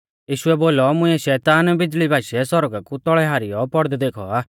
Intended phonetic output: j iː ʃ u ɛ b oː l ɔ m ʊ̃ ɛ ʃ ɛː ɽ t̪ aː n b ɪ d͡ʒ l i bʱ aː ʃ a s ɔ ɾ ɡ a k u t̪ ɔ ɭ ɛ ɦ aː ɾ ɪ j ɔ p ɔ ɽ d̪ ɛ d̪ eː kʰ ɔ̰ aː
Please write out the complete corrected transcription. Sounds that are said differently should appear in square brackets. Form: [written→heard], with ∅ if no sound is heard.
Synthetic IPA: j iː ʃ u ɛ b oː l ɔ m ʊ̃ ɛ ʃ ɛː [ɽ→∅] t̪ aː n b ɪ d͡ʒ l i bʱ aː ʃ [a→ɛ] s ɔ ɾ ɡ a k u t̪ ɔ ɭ ɛ ɦ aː ɾ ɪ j ɔ p ɔ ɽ d̪ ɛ d̪ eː kʰ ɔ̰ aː